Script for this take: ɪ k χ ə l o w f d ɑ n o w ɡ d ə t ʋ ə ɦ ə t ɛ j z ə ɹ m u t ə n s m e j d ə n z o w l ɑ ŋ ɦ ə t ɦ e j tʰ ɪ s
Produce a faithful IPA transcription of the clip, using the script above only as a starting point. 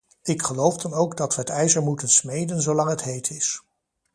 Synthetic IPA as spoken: ɪ k χ ə l o w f d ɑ n o w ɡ d ɑ t ʋ ə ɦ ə t ɛ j z ə ɹ m u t ə n s m e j d ə n z o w l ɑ ŋ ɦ ə t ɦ e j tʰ ɪ s